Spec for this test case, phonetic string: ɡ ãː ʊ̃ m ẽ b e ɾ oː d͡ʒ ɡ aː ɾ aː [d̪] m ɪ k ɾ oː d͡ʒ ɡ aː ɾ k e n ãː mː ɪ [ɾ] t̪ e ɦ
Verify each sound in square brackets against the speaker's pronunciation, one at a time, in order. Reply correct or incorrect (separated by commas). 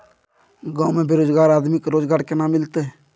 correct, incorrect